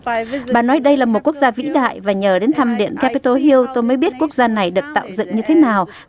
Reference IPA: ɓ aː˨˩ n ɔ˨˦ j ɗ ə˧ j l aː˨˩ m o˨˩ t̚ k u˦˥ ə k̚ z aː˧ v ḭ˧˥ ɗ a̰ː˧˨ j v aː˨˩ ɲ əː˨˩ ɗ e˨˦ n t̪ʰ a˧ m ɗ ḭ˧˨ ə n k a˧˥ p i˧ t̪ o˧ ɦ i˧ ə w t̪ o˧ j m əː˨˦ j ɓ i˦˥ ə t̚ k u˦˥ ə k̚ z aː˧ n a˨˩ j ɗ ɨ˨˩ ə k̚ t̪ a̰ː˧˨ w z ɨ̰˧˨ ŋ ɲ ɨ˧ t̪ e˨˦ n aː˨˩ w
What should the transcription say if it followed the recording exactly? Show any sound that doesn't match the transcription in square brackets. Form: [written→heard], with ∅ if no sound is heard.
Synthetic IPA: ɓ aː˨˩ n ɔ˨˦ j ɗ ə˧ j l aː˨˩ m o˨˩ t̚ k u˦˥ ə k̚ z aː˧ v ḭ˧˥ ɗ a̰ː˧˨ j v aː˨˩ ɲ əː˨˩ ɗ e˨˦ n t̪ʰ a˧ m ɗ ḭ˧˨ ə n k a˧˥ p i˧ t̪ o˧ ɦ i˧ ə w t̪ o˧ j m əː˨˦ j ɓ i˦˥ ə t̚ k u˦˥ ə k̚ z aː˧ n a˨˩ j ɗ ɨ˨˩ ə k̚ t̪ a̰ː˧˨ w z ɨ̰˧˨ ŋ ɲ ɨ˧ [t̪→t̪ʰ] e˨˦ n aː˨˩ w